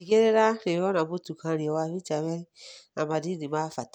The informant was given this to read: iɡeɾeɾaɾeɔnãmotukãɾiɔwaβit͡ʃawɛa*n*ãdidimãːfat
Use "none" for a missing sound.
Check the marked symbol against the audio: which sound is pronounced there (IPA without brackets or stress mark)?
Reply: m